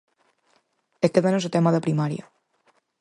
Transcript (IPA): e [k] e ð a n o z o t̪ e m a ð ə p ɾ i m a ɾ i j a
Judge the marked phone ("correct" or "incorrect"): correct